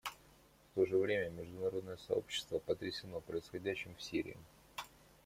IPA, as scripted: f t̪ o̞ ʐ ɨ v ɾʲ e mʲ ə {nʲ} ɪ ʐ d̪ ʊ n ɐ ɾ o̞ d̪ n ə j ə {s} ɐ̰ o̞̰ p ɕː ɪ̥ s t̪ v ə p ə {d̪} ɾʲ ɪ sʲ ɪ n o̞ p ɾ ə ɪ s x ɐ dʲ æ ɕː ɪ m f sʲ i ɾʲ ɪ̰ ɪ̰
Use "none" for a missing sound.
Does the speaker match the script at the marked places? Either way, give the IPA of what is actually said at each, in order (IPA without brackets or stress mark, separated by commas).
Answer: mʲ, s, t̪